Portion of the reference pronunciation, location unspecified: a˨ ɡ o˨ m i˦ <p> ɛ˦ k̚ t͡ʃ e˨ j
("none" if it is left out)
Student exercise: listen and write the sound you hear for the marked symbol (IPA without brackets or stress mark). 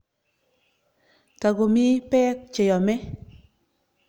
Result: p